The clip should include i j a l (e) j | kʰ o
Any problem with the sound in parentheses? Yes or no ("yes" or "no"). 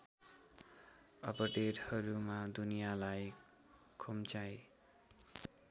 yes